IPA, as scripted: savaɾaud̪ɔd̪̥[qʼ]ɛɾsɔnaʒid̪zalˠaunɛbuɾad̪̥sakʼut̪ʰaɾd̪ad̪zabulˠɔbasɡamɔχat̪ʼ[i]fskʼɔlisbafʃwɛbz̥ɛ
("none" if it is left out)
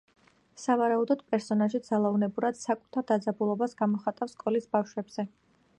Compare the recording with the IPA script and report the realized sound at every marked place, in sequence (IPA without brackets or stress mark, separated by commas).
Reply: pʼ, a